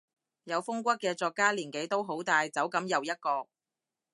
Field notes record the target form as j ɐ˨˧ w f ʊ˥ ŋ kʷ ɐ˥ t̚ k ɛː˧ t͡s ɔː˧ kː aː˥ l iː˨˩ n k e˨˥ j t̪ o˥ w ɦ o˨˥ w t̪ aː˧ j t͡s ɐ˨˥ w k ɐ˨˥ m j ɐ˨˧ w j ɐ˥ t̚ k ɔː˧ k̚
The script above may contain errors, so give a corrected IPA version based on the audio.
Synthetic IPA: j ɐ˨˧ w f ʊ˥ ŋ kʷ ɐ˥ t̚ k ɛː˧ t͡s ɔː˧ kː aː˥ l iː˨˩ n k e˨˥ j t̪ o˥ w ɦ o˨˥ w t̪ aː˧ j t͡s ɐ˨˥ w k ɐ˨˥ m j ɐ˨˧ w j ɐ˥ t̚ k ɔː˧ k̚